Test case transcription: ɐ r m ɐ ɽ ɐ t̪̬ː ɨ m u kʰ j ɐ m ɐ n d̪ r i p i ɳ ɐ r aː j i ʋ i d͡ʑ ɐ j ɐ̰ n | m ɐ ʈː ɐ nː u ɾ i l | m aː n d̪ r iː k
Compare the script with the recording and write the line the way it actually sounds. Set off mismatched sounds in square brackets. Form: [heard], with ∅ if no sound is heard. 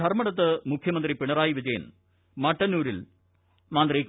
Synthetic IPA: ɐ r m ɐ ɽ ɐ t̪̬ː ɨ m u kʰ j ɐ m ɐ n d̪ r i p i ɳ ɐ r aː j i ʋ i d͡ʑ ɐ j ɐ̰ n | m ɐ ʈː ɐ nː [uː] ɾ i l | m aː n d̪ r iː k